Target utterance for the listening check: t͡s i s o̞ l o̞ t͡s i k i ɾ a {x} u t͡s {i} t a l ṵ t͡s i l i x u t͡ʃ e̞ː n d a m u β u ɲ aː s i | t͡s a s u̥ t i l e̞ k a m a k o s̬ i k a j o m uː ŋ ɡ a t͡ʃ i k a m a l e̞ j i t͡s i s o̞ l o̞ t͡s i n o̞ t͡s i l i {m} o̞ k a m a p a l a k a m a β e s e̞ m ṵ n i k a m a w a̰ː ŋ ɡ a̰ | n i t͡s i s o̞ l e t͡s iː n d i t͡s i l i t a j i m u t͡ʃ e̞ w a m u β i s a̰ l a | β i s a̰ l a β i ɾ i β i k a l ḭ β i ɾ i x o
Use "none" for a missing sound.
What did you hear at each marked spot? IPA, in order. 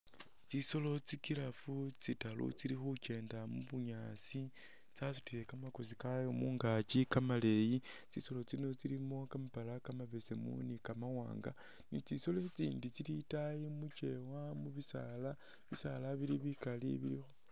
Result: f, i, m

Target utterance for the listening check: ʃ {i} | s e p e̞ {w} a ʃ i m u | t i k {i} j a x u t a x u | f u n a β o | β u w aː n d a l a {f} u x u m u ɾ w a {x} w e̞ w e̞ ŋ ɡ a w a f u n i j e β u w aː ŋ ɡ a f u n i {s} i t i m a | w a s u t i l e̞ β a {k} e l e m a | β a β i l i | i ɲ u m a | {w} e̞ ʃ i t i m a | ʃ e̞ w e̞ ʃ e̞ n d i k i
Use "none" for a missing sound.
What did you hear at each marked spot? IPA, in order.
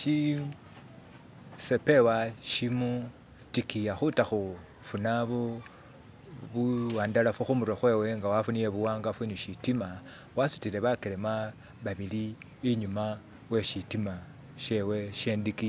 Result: i, w, i, f, x, ʃ, k, w

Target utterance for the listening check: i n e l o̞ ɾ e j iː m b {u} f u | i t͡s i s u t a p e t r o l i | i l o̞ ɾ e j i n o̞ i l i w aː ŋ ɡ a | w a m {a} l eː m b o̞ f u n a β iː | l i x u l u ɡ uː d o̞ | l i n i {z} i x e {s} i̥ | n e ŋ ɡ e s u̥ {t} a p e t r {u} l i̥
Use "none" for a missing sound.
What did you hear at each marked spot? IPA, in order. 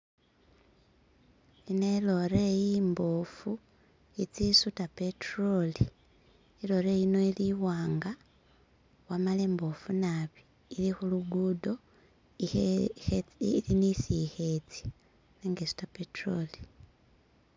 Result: o, a, s, t͡s, t, o

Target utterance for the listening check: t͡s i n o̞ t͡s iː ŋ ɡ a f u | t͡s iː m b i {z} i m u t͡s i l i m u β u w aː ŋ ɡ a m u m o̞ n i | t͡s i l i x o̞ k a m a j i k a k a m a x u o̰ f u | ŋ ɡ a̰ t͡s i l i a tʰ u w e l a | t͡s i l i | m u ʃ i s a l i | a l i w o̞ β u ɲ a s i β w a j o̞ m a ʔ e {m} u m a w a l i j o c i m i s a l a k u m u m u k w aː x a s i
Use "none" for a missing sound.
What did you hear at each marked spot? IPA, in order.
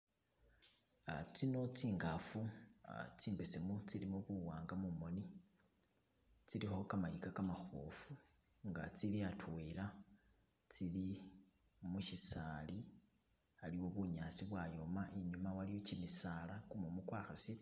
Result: s, ɲ

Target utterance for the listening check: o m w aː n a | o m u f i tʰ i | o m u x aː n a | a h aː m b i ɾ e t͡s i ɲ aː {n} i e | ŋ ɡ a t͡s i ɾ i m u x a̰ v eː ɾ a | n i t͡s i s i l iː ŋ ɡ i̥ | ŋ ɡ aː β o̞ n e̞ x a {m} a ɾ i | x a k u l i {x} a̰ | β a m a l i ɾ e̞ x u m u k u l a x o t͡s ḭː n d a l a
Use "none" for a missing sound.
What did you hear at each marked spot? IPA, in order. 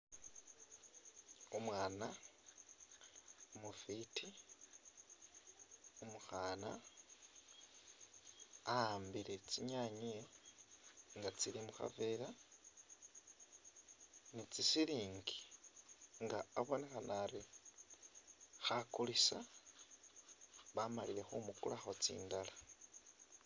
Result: ɲ, n, s

